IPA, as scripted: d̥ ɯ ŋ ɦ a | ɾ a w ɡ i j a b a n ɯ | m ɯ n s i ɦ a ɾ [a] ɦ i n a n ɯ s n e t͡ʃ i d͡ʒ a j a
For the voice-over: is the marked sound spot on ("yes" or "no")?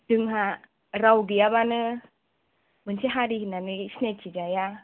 no